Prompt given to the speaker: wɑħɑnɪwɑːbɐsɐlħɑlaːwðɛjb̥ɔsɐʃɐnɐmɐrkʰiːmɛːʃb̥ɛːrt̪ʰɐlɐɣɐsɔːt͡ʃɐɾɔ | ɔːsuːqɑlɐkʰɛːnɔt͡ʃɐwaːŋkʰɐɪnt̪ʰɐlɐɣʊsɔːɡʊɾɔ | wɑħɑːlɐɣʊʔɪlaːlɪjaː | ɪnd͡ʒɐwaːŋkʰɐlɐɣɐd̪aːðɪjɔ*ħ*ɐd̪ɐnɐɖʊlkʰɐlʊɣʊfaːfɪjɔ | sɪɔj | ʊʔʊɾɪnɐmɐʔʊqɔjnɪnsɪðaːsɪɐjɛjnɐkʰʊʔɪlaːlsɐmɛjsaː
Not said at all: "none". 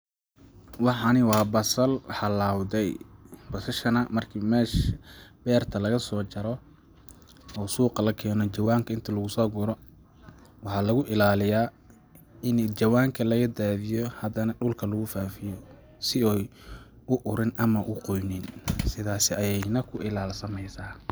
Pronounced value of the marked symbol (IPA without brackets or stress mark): h